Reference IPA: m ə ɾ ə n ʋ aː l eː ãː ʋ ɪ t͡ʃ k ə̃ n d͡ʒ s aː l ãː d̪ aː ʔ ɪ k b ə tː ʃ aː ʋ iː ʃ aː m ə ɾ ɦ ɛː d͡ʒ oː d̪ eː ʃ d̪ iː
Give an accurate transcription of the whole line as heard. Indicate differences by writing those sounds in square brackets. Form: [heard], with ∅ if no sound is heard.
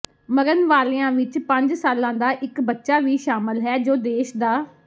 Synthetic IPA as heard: m ə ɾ ə n ʋ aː l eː ãː ʋ ɪ t͡ʃ [p] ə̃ [ɲ] d͡ʒ s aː l ãː d̪ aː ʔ ɪ k b ə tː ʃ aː ʋ iː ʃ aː m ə [l] ɦ ɛː d͡ʒ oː d̪ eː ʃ d̪ [aː]